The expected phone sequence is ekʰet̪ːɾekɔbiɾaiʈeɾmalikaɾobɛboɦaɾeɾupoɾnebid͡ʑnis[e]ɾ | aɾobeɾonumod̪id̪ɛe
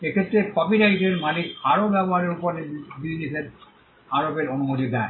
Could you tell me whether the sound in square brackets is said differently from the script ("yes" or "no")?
no